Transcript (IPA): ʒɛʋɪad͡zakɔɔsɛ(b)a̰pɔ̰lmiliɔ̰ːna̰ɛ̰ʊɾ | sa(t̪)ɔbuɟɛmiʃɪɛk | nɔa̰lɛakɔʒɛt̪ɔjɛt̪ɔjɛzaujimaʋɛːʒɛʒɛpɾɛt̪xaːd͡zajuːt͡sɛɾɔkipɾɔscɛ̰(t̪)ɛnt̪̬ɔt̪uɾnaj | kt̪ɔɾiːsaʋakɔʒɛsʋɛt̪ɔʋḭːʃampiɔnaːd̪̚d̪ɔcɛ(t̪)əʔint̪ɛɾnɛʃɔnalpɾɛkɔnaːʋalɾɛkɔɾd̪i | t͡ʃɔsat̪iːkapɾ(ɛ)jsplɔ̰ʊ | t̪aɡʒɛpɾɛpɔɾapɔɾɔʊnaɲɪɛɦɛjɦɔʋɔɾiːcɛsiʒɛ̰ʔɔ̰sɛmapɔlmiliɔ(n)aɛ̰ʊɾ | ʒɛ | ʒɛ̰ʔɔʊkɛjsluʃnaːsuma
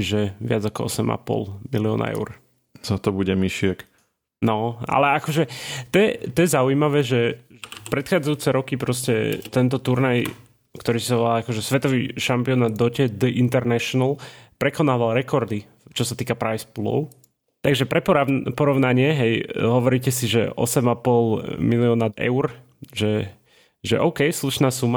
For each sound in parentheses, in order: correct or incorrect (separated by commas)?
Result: incorrect, correct, correct, incorrect, incorrect, correct